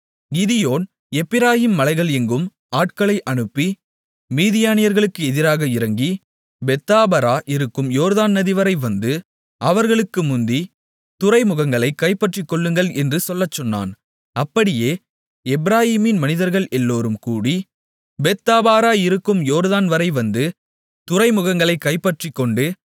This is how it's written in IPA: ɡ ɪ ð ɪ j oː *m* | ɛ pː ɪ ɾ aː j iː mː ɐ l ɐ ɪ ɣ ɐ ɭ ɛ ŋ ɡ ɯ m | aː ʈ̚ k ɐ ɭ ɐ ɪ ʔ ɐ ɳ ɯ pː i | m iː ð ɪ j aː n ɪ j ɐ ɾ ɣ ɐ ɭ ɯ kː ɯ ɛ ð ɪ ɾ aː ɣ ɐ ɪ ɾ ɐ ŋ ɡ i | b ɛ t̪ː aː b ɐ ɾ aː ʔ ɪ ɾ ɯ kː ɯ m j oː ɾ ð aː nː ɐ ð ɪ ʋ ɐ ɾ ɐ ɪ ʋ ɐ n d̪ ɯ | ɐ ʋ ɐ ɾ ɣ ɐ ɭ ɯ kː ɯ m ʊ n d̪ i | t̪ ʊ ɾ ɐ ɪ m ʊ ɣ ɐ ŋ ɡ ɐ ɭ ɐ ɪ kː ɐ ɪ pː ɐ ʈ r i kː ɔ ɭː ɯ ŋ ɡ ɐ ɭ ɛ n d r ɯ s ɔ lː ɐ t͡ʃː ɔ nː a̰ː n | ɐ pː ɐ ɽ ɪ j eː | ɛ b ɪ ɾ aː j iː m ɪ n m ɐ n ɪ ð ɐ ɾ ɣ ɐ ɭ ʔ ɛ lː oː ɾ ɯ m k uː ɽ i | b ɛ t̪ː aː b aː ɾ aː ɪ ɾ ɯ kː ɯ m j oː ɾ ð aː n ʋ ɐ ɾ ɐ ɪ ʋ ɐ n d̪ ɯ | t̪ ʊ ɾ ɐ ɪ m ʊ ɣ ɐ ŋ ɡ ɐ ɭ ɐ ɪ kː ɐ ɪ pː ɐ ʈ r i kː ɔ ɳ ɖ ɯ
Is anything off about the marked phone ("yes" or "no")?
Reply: yes